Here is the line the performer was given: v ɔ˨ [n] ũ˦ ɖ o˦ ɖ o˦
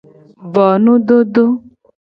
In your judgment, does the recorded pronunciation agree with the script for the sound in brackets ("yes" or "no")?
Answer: yes